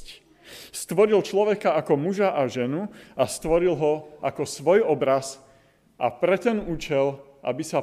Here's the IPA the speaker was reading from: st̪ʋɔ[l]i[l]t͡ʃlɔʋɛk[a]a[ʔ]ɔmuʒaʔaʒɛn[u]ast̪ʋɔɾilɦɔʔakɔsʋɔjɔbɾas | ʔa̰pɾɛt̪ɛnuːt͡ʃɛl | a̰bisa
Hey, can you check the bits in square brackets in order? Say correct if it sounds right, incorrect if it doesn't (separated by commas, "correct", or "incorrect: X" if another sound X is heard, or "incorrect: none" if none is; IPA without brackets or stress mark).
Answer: incorrect: ɾ, correct, correct, incorrect: k, correct